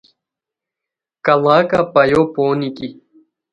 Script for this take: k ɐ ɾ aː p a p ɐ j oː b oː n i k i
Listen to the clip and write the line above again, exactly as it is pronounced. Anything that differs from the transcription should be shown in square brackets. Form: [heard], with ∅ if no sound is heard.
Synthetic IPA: k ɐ [l] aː [k] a p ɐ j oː [p] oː n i k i